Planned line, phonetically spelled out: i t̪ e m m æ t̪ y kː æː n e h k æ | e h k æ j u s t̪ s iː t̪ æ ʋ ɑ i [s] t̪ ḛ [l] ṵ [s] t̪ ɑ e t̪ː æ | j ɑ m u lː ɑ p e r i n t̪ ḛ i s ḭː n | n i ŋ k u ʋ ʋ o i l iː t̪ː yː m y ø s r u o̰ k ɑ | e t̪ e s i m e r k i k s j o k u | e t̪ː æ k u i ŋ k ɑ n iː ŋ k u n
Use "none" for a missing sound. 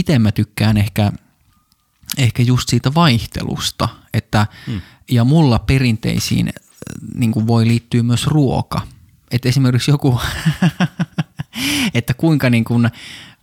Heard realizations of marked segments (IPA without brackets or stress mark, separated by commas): h, l, s